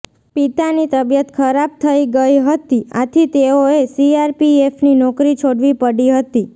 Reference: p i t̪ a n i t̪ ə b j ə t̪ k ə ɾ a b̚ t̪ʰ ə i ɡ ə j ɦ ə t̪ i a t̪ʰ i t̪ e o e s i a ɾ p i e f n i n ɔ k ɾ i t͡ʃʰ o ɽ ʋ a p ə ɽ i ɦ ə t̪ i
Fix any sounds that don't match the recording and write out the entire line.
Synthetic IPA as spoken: p i t̪ a n i t̪ ə b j ə t̪ kʰ ə ɾ a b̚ t̪ʰ ə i ɡ ə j ɦ ə t̪ i a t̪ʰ i t̪ e o e s i a ɾ p i e f n i n ɔ k ɾ i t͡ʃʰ o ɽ ʋ i p ə ɽ i ɦ ə t̪ i